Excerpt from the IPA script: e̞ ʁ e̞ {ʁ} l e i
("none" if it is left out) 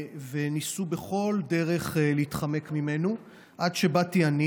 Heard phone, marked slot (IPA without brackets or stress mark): χ